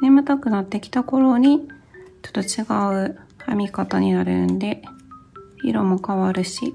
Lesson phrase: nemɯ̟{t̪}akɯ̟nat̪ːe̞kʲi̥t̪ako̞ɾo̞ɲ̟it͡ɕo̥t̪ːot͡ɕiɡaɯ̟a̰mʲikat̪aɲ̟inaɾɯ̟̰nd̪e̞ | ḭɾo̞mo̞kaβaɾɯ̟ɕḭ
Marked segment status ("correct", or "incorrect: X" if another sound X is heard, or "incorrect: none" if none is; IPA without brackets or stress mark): correct